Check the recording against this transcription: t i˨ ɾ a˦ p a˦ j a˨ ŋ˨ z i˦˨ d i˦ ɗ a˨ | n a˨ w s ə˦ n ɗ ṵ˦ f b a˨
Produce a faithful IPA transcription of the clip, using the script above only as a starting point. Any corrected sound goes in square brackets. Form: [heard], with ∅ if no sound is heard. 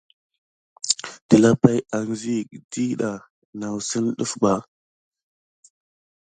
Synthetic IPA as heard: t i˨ [l] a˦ p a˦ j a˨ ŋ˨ z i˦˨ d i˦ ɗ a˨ | n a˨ w s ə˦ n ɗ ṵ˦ f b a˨